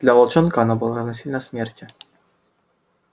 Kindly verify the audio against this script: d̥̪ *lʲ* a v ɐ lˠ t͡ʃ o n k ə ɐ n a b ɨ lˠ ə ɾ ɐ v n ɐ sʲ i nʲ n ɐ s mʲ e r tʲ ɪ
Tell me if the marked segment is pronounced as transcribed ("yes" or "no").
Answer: yes